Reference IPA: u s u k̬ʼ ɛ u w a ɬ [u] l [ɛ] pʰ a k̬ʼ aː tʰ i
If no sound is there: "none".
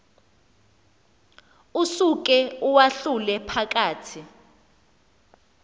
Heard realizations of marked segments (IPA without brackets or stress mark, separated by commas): u, ɛ